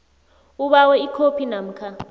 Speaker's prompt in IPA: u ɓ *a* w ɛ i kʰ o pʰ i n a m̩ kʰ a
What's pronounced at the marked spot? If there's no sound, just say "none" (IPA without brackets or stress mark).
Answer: a